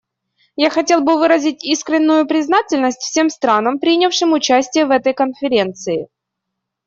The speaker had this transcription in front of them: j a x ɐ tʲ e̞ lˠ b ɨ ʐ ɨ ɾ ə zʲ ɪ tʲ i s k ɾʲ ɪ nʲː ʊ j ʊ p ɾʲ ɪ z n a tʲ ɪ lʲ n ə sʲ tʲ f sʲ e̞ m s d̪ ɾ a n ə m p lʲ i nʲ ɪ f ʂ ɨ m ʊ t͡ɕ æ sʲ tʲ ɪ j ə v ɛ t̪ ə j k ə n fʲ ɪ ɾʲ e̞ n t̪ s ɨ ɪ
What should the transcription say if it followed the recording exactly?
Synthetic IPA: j a x ɐ tʲ e̞ lˠ b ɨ v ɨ ɾ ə zʲ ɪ tʲ i s k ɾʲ ɪ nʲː ʊ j ʊ p ɾʲ ɪ z n a tʲ ɪ lʲ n ə sʲ tʲ f sʲ e̞ m s t̪ ɾ a n ə m p ɾʲ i nʲ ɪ f ʂ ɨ m ʊ t͡ɕ æ sʲ tʲ ɪ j ə v ɛ t̪ ə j k ə n fʲ ɪ ɾʲ e̞ n t̪ s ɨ ɪ